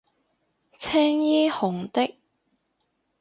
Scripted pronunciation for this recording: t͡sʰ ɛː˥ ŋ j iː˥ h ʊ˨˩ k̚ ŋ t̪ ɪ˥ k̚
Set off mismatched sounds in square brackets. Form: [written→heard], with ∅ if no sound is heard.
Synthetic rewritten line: t͡sʰ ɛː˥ ŋ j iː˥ h ʊ˨˩ [k̚→∅] ŋ t̪ ɪ˥ k̚